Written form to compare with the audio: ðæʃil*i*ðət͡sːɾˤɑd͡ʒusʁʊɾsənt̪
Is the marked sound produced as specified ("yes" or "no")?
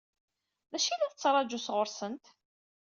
no